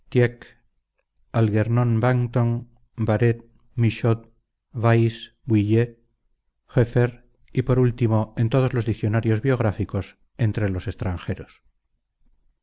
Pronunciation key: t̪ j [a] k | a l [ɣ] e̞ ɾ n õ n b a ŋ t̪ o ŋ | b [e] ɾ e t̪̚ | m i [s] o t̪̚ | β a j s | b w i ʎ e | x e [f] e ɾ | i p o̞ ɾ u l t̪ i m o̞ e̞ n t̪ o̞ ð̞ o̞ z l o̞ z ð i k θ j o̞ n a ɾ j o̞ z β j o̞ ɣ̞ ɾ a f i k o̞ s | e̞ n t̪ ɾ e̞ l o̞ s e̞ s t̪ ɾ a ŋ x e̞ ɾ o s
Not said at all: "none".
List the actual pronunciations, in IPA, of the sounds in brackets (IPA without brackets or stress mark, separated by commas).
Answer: e, ɣ, a, ʃ, f